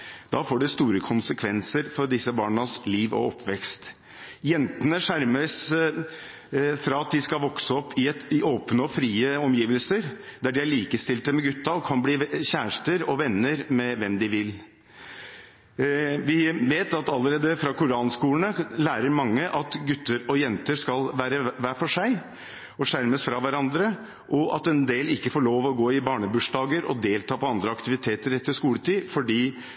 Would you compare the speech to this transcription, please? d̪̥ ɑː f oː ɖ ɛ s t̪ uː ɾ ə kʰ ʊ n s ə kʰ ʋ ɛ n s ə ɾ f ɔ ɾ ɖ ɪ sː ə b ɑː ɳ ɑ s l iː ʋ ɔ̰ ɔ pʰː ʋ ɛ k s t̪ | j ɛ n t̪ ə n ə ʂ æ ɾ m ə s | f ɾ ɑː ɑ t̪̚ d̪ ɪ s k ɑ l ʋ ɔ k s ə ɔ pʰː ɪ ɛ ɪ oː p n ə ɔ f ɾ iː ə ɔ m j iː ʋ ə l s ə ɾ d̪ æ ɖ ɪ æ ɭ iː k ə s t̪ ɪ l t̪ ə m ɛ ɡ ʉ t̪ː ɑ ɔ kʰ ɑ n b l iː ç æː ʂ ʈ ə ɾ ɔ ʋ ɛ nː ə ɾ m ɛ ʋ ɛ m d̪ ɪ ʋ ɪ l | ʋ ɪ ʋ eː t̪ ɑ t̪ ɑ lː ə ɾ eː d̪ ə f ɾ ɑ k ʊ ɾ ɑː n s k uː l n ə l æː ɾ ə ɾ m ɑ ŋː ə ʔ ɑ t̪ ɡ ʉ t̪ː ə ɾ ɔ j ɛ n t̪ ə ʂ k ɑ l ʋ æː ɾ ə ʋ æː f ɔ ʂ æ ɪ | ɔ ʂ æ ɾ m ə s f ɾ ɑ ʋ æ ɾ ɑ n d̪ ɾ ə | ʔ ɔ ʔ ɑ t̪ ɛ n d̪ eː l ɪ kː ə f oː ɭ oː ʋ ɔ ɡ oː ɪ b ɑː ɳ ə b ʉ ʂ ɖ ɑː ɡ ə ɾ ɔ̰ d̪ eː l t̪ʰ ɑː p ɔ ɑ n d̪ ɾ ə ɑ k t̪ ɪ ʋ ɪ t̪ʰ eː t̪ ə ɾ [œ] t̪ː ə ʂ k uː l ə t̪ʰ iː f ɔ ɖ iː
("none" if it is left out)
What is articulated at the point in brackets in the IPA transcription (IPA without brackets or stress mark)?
ɛ